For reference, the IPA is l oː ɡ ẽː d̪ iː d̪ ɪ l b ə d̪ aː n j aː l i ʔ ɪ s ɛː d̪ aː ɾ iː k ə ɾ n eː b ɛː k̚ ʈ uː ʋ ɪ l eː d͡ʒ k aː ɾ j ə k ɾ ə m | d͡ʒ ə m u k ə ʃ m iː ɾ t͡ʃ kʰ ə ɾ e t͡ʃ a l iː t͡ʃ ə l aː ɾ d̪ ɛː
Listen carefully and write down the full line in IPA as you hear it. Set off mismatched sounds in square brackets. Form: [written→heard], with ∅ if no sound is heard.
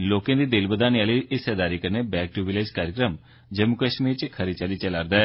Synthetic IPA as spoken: l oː [ɡ→k] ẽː d̪ iː d̪ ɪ l b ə d̪ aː n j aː l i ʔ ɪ s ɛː d̪ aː ɾ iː k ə ɾ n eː b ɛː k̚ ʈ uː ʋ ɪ l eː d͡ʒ k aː ɾ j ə k ɾ ə m | d͡ʒ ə m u k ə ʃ m iː ɾ t͡ʃ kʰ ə ɾ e t͡ʃ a l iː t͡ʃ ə l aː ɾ d̪ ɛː